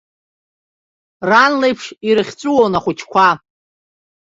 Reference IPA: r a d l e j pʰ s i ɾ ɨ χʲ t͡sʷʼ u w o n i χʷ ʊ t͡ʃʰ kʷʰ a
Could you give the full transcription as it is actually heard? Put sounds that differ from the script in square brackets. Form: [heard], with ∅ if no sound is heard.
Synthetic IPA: r a [n] l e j pʰ [ʂ] i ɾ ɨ χʲ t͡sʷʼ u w o n [a] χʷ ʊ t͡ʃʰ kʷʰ a